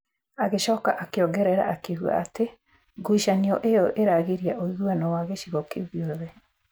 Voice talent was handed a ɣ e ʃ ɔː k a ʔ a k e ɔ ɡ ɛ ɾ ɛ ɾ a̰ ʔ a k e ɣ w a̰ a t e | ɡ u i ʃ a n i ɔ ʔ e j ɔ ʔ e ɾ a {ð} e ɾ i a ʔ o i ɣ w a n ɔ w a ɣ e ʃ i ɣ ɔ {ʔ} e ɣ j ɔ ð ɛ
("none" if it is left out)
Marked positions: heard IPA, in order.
ɣ, k

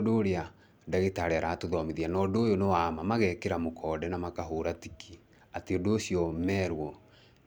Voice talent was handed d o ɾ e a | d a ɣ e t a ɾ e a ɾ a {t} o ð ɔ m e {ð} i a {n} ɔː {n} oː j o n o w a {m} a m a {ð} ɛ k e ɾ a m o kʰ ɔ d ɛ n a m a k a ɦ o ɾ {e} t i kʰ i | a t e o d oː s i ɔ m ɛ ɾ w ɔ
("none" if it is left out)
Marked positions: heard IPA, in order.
t, ð, n, d, m, ɣ, a

